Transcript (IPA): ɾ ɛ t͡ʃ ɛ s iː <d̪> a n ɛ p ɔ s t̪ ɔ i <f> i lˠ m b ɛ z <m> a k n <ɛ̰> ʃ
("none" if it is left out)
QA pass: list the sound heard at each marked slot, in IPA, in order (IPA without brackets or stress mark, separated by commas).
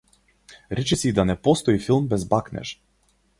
d̪, f, b, ɛ̰